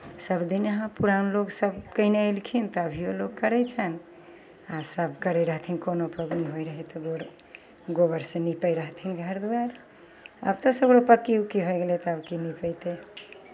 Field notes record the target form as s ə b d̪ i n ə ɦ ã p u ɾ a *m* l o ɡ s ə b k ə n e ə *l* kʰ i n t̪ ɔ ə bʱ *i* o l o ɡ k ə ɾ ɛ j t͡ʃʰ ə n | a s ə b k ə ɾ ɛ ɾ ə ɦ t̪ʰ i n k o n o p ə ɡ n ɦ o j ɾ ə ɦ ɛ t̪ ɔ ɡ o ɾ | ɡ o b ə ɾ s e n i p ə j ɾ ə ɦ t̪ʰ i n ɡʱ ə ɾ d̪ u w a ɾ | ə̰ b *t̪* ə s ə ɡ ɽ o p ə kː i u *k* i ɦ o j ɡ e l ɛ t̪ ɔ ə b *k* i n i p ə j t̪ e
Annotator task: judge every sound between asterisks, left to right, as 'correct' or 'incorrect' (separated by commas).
incorrect, correct, correct, correct, correct, correct